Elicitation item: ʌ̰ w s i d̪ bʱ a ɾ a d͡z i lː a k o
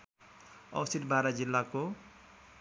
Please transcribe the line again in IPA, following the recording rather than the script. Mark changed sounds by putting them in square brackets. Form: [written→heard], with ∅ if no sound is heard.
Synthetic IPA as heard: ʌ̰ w s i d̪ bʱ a ɾ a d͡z i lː a k o